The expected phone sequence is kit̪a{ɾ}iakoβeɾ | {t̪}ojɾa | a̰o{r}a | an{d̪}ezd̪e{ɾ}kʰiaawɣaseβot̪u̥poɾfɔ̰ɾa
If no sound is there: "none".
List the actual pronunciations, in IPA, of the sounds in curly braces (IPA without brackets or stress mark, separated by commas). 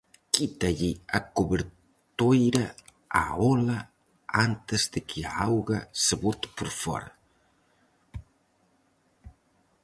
ʎ, t̪, l, t̪, none